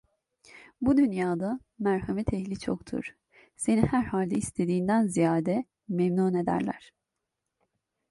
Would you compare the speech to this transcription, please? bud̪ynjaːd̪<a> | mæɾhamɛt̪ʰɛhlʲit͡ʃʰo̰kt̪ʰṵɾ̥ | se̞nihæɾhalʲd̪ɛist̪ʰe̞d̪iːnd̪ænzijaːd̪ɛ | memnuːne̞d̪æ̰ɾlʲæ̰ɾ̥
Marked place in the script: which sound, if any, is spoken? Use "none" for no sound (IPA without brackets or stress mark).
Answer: a